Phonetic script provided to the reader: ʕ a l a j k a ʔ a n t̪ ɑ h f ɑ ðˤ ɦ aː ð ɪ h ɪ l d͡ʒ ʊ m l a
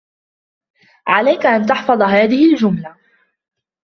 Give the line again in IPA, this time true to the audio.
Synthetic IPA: ʕ a l a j k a ʔ a n t̪ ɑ ħ f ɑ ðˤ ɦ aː ð ɪ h ɪ l d͡ʒ ʊ m l a